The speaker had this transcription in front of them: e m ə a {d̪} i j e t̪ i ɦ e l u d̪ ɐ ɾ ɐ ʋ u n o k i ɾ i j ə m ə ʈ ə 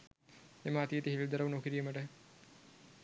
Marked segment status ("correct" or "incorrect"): incorrect